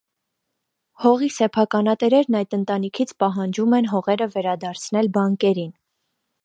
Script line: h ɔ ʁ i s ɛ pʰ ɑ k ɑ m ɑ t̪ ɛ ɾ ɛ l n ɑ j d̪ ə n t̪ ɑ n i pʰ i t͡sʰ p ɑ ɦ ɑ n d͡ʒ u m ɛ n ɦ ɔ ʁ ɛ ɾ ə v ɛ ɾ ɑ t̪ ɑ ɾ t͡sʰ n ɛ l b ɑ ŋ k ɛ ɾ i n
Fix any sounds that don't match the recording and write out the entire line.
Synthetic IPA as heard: h ɔ ʁ i s ɛ pʰ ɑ k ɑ n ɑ t̪ ɛ ɾ ɛ ɾ n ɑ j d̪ ə n t̪ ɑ n i kʰ i t͡sʰ p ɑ ɦ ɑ n d͡ʒ u m ɛ n ɦ ɔ ʁ ɛ ɾ ə v ɛ ɾ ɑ d̪ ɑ ɾ t͡sʰ n ɛ l b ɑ ŋ k ɛ ɾ i n

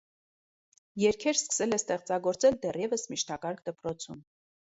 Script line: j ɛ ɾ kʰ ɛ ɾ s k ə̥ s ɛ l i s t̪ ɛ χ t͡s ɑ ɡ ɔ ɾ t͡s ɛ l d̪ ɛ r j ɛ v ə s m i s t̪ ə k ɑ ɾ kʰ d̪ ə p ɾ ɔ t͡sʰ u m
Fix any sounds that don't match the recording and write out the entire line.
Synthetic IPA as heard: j ɛ ɾ kʰ ɛ ɾ s k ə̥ s ɛ l ɛ s t̪ ɛ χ t͡s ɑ ɡ ɔ ɾ t͡s ɛ l d̪ ɛ r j ɛ v ə s m i ʃ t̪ ɑ k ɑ ɾ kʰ d̪ ə p ɾ ɔ t͡sʰ u m

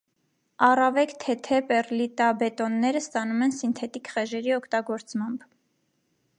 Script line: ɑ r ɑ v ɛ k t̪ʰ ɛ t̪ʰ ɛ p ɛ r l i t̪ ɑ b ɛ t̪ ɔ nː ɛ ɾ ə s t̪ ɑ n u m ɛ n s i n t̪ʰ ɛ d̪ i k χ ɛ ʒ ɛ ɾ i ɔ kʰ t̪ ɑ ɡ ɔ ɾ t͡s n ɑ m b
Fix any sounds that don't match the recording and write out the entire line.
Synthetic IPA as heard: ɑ r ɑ v ɛ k t̪ʰ ɛ t̪ʰ ɛ p ɛ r l i t̪ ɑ b ɛ t̪ ɔ nː ɛ ɾ ə s t̪ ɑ n u m ɛ n s i n t̪ʰ ɛ t̪ i k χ ɛ ʒ ɛ ɾ i ɔ kʰ t̪ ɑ ɡ ɔ ɾ t͡s m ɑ m b

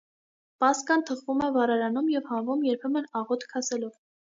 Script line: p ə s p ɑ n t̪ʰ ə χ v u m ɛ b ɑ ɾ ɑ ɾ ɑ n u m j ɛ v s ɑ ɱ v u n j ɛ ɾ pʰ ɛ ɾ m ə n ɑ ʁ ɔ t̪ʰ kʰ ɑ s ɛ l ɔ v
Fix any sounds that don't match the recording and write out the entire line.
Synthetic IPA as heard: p ɑ s k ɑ n t̪ʰ ə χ v u m ɛ v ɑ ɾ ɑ ɾ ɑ n u m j ɛ v h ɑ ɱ v u m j ɛ ɾ pʰ ɛ m ə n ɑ ʁ ɔ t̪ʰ kʰ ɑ s ɛ l ɔ v

